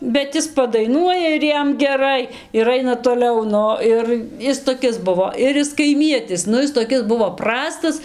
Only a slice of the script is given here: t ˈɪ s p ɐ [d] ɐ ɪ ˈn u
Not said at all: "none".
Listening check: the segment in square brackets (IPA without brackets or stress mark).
d